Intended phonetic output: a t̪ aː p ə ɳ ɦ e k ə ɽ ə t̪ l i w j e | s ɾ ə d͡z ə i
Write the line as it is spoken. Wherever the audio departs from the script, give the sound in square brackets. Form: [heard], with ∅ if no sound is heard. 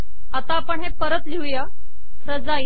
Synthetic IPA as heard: a t̪ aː p ə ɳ ɦ e [p] ə [ɾ] ə t̪ l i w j [a] | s ɾ ə d͡z [a] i